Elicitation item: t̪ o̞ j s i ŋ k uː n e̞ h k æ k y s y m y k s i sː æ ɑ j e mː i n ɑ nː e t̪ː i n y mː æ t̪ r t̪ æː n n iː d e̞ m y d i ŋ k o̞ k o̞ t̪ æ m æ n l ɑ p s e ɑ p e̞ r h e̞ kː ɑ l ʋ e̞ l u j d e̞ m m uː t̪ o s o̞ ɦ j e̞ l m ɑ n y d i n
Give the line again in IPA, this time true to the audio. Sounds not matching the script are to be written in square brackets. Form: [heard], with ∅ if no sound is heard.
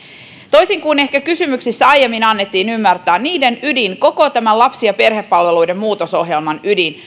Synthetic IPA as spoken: t̪ o̞ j s i ŋ k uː n e̞ h k æ k y s y m y k s i sː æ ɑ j e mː i n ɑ nː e t̪ː [iː] n y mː æ [∅] r t̪ æː n n iː d e̞ [n] y d i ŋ k o̞ k o̞ t̪ æ m æ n l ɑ p s [i] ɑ p e̞ r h e̞ [pː] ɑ l ʋ e̞ l u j d e̞ m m uː t̪ o s o̞ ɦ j e̞ l m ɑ n y d i n